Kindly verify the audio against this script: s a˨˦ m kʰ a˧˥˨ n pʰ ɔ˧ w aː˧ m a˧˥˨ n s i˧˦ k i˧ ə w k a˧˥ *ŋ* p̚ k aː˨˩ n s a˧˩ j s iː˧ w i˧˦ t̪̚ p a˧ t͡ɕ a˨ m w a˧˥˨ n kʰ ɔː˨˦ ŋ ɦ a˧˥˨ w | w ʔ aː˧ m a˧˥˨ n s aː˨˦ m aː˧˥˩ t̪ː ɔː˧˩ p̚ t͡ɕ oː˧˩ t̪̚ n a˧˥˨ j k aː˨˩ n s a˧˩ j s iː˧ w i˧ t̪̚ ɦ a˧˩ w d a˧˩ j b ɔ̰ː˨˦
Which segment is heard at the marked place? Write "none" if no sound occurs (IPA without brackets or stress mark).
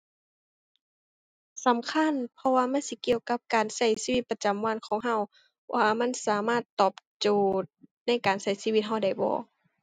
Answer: none